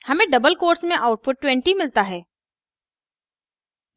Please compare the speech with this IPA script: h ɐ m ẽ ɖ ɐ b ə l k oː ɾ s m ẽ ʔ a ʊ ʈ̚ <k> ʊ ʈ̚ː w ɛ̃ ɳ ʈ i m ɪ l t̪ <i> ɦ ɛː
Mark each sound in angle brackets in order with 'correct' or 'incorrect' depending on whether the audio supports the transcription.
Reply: incorrect: p, incorrect: a

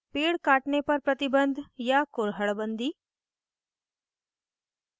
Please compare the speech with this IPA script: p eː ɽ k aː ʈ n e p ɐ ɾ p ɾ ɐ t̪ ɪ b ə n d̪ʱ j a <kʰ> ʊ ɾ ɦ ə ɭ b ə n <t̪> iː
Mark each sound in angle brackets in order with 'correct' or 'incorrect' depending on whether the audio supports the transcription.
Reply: incorrect: k, incorrect: d̪

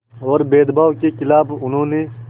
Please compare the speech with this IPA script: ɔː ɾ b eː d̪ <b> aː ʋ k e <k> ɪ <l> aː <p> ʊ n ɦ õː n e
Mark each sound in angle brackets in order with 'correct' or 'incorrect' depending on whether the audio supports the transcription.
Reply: correct, correct, correct, incorrect: b

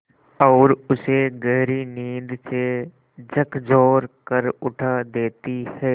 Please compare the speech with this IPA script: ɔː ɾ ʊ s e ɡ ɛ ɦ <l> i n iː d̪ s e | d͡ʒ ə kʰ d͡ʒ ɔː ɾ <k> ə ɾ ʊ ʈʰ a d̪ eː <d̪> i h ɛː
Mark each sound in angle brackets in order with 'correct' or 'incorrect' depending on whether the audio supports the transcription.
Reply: incorrect: ɾ, correct, incorrect: t̪

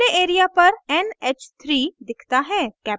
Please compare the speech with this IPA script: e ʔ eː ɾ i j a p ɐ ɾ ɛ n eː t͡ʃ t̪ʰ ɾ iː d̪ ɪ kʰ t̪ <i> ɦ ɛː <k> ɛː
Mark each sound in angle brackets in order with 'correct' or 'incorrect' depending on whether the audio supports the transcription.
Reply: incorrect: a, correct

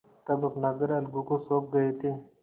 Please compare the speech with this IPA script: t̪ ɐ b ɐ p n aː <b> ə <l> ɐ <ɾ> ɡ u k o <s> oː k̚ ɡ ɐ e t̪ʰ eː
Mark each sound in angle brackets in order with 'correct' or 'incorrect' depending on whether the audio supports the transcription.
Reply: incorrect: ɡ, incorrect: ɾ, incorrect: l, correct

